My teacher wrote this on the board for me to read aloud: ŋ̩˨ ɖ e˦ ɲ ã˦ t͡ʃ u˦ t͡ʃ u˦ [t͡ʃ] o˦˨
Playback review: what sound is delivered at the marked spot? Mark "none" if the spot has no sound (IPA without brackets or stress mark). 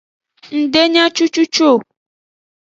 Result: t͡ʃ